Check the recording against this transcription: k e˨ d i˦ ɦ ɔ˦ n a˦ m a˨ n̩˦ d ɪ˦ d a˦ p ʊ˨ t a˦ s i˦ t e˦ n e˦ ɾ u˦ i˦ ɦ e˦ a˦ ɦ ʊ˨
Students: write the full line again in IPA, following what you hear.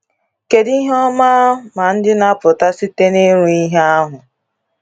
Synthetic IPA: k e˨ d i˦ ɦ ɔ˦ m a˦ m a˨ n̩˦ d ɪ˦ n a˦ p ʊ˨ t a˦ s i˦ t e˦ n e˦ ɾ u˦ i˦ ɦ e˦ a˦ ɦ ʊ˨